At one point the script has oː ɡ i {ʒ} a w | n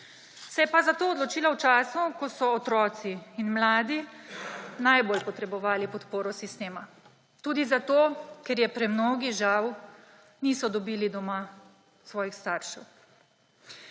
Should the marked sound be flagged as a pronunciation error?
no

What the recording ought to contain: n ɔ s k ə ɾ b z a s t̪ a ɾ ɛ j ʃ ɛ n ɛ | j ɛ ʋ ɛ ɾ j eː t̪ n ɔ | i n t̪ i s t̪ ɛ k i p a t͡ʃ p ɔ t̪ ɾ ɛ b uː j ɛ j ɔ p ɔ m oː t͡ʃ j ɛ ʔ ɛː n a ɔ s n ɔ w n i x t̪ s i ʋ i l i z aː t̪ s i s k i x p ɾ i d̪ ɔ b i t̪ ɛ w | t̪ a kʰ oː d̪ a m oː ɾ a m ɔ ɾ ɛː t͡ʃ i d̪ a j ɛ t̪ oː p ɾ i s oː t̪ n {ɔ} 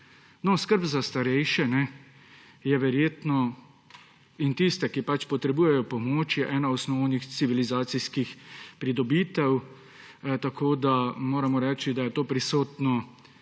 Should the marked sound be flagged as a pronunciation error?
no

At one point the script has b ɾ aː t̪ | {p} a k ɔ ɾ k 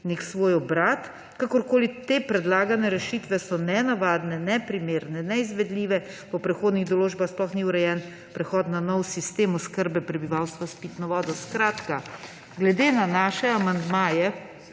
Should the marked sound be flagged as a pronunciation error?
yes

